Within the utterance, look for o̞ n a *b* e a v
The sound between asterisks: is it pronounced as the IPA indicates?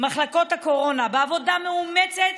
yes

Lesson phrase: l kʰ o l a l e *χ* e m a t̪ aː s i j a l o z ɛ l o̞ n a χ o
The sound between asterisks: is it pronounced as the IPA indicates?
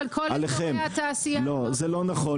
yes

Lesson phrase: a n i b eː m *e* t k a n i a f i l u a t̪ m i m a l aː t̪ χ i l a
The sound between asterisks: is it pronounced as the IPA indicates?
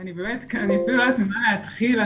yes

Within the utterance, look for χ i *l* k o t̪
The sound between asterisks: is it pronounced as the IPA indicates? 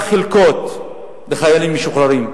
yes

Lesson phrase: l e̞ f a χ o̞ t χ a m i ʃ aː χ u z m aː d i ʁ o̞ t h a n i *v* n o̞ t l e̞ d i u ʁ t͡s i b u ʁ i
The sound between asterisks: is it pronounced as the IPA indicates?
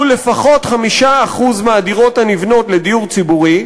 yes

